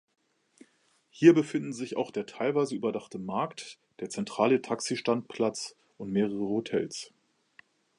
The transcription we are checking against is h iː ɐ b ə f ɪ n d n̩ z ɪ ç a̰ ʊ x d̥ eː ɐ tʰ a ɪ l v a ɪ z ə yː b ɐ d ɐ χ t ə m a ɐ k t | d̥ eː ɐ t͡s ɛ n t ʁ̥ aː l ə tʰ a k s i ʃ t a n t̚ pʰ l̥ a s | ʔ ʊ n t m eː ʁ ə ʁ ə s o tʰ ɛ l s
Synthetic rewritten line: h iː ɐ b ə f ɪ n d n̩ z ɪ ç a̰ ʊ x d̥ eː ɐ tʰ a ɪ l v a ɪ z ə yː b ɐ d a χ t ə m a ɐ k t | d̥ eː ɐ t͡s ɛ n t ʁ̥ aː l ə tʰ a k s i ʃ t a n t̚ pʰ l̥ a t͡s | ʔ ʊ n t m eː ʁ ə ʁ ə h o tʰ ɛ l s

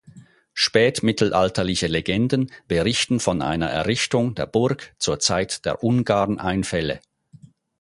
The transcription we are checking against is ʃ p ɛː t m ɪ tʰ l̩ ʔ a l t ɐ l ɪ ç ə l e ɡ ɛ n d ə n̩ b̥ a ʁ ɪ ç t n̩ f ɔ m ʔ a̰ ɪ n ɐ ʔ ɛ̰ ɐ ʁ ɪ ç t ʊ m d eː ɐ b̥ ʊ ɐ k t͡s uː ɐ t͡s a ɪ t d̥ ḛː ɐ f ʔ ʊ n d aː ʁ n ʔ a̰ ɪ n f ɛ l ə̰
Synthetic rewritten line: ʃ p ɛː t m ɪ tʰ l̩ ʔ a l t ɐ l ɪ ç ə l e ɡ ɛ n d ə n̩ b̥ ə ʁ ɪ ç t n̩ f ɔ n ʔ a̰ ɪ n ɐ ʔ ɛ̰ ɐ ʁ ɪ ç t ʊ ŋ d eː ɐ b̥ ʊ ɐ k t͡s uː ɐ t͡s a ɪ t d̥ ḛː ɐ ʔ ʊ n ɡ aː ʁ n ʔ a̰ ɪ n f ɛ l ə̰

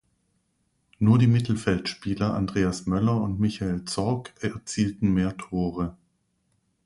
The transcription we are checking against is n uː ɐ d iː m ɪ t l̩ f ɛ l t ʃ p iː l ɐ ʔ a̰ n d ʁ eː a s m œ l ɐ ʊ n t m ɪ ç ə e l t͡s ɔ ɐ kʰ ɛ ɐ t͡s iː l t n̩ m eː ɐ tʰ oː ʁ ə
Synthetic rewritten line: n uː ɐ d iː m ɪ t l̩ f ɛ l t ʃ p iː l ɐ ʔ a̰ n d ʁ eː a s m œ l ɐ ʊ n t m ɪ ç a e l t͡s ɔ ɐ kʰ ɛ ɐ t͡s iː l t n̩ m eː ɐ tʰ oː ʁ ə

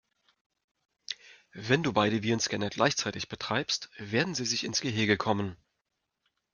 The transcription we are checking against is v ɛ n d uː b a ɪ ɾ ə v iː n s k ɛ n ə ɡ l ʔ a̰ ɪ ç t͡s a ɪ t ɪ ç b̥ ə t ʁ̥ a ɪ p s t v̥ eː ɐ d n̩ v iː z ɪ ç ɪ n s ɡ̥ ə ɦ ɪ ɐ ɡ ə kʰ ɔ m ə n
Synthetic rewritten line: v ɛ n d uː b a ɪ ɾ ə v iː n s k ɛ n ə ɡ l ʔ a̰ ɪ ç t͡s a ɪ t ɪ ç b̥ ə t ʁ̥ a ɪ p s t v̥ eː ɐ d n̩ z iː z ɪ ç ɪ n s ɡ̥ ə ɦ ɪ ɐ ɡ ə kʰ ɔ m ə n

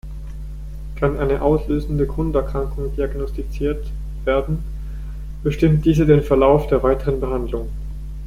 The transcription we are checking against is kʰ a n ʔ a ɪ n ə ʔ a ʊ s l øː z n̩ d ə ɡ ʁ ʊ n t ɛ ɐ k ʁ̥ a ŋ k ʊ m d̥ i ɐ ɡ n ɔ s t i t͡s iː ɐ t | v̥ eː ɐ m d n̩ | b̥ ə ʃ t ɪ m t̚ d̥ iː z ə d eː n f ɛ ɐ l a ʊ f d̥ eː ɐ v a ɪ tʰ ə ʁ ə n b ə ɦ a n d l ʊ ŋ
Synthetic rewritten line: kʰ a n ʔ a ɪ n ə ʔ a ʊ s l øː z n̩ d ə ɡ ʁ ʊ n t ɛ ɐ k ʁ̥ a ŋ k ʊ ŋ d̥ i a ɡ n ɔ s t i t͡s iː ɐ t | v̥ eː ɐ d n̩ | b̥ ə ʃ t ɪ m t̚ d̥ iː z ə d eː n f ɛ ɐ l a ʊ f d̥ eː ɐ v a ɪ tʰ ə ʁ ə n b ə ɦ a n d l ʊ ŋ

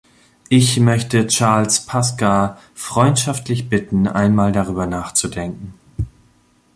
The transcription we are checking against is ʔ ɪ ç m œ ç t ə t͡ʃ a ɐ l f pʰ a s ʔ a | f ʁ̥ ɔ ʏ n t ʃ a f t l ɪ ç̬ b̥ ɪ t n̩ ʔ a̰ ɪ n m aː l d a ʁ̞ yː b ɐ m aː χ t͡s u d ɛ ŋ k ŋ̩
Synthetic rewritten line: ʔ ɪ ç m œ ç t ə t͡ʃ a ɐ l s pʰ a s k a | f ʁ̥ ɔ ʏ n t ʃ a f t l ɪ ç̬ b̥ ɪ t n̩ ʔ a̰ ɪ n m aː l d a ʁ̞ yː b ɐ n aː χ t͡s u d ɛ ŋ k ŋ̩

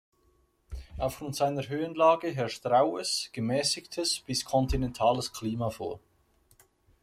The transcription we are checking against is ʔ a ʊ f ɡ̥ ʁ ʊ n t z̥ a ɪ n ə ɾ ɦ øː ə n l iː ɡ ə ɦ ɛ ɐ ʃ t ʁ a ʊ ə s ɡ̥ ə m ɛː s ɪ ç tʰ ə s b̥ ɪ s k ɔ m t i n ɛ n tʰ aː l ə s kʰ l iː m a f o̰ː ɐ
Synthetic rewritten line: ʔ a ʊ f ɡ̥ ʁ ʊ n t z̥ a ɪ n ə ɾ ɦ øː ə n l aː ɡ ə ɦ ɛ ɐ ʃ t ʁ a ʊ ə s ɡ̥ ə m ɛː s ɪ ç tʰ ə s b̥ ɪ s kʰ ɔ n t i n ɛ n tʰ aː l ə s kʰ l iː m a f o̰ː ɐ

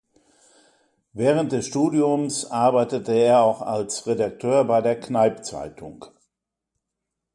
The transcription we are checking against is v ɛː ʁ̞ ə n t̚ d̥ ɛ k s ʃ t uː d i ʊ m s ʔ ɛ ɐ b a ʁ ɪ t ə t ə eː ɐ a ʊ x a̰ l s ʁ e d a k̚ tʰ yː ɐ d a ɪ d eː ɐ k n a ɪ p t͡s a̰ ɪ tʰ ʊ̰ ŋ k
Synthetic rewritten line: v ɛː ʁ̞ ə n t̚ d̥ ɛ s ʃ t uː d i ʊ m s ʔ a ɐ b a ɪ t ə t ə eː ɐ a ʊ x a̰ l s ʁ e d a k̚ tʰ øː ɐ b a ɪ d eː ɐ k n a ɪ p t͡s a̰ ɪ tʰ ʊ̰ ŋ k

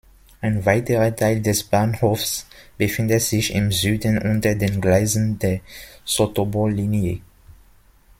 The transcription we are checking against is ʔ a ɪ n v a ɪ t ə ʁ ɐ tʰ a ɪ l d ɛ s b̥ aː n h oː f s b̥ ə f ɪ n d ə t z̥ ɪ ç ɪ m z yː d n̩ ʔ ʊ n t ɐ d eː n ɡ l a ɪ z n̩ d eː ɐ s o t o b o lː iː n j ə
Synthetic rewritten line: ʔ a ɪ n v a ɪ t ə ʁ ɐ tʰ a ɪ l d ɛ s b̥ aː n h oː f s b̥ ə f ɪ n d ə t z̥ ɪ ç ɪ m z yː d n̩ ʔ ʊ n t ɐ d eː n ɡ l a ɪ z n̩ d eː ɐ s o t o b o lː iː n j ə

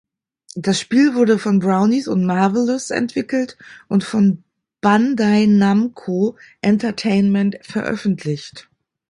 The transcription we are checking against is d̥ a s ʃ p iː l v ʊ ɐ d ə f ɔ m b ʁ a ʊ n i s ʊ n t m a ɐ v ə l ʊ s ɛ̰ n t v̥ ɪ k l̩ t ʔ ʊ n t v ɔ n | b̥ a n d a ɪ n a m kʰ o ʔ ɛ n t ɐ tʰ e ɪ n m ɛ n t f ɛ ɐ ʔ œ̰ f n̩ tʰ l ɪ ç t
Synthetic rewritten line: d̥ a s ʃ p iː l v ʊ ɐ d ə f ɔ n b ʁ a ʊ n i s ʊ n t m a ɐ v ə l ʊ s ɛ̰ n t v̥ ɪ k l̩ t ʔ ʊ n t f ɔ n | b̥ a n d a ɪ n a m kʰ o ʔ ɛ n t ɐ tʰ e ɪ n m ɛ n t f ɛ ɐ ʔ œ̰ f n̩ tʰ l ɪ ç t

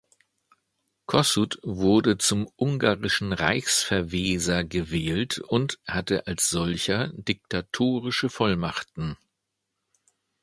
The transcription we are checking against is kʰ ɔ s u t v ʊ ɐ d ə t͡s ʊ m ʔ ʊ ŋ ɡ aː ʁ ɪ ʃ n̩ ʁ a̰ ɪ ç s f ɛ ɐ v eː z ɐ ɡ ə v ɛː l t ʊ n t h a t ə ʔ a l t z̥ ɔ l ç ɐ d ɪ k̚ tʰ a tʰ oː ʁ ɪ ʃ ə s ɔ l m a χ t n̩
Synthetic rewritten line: kʰ ɔ s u t v ʊ ɐ d ə t͡s ʊ m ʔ ʊ ŋ ɡ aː ʁ ɪ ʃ n̩ ʁ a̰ ɪ ç s f ɛ ɐ v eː z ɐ ɡ ə v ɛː l t ʊ n t h a t ə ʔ a l s z̥ ɔ l ç ɐ d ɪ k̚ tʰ a tʰ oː ʁ ɪ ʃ ə f ɔ l m a χ t n̩

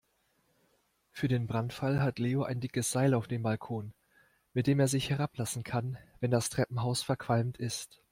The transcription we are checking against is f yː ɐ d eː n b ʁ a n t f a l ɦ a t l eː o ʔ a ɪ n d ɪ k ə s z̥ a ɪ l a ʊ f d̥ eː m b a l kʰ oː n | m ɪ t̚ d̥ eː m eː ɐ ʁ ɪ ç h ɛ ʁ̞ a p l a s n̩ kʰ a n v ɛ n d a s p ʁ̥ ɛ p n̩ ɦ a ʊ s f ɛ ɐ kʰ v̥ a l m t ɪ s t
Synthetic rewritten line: f yː ɐ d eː n b ʁ a n t f a l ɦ a t l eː o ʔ a ɪ n d ɪ k ə s z̥ a ɪ l a ʊ f d̥ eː m b a l kʰ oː n | m ɪ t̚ d̥ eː m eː ɐ z ɪ ç h ɛ ʁ̞ a p l a s n̩ kʰ a n v ɛ n d a s t ʁ̥ ɛ p m̩ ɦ a ʊ s f ɛ ɐ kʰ v̥ a l m t ɪ s t

